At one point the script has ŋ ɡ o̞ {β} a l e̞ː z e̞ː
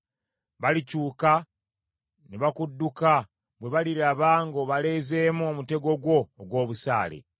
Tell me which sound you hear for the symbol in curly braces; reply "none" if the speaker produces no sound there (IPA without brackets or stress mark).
β